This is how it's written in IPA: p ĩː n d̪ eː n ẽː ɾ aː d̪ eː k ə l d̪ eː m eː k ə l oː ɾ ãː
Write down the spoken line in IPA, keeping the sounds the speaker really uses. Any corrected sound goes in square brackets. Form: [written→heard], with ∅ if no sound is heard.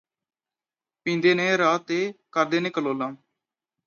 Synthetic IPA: p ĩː n d̪ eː n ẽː ɾ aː [d̪→t̪] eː k ə [l→ɾ] d̪ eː [m→n] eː k ə l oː [ɾ→l] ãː